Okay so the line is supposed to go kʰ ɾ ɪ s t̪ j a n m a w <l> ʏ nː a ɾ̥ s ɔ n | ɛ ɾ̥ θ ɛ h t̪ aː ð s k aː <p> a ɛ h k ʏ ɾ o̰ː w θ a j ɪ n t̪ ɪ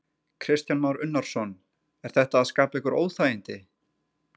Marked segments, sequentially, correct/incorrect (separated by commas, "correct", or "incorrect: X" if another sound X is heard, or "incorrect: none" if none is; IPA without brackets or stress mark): incorrect: ɾ, correct